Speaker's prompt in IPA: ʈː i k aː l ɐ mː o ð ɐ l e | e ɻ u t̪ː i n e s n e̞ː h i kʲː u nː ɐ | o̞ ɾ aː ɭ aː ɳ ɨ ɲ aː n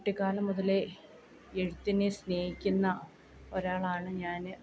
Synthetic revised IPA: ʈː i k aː l ɐ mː u ð ɐ l e | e ɻ u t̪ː i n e s n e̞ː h i kʲː u nː ɐ | o̞ ɾ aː ɭ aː ɳ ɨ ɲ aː n